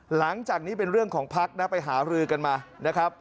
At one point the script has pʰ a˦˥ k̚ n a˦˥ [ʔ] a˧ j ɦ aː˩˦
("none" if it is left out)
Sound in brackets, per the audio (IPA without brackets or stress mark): p